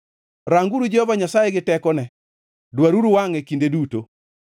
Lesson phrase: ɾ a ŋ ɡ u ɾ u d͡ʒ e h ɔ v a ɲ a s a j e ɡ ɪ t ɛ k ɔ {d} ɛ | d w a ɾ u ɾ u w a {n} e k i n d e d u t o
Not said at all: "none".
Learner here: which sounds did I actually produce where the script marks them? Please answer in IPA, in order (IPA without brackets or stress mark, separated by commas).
n, ŋ